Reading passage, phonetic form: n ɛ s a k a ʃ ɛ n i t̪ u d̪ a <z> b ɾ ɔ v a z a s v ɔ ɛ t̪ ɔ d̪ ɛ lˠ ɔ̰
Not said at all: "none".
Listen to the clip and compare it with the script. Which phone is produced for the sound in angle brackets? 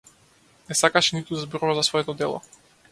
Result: z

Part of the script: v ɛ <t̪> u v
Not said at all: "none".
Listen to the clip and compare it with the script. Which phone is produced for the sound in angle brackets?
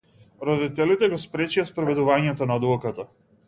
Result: d̪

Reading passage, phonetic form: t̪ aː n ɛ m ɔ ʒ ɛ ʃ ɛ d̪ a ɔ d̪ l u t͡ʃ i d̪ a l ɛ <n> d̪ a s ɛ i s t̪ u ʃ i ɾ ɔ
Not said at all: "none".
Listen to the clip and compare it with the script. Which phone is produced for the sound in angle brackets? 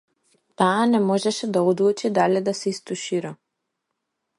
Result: none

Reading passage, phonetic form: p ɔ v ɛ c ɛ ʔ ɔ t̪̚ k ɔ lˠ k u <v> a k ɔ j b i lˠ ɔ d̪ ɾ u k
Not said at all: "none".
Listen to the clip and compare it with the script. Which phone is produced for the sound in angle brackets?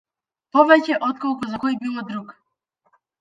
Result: z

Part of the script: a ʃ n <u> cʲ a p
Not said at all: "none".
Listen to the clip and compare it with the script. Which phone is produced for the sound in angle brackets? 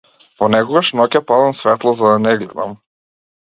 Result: ɔ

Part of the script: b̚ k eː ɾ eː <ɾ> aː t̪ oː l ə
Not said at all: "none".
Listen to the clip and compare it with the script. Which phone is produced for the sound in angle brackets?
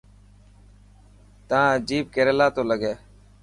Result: l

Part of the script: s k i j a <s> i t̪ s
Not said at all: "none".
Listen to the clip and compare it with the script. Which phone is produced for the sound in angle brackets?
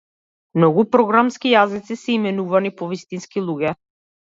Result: z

